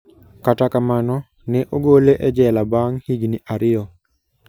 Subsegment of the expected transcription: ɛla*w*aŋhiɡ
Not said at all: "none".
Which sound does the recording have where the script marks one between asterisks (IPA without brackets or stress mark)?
b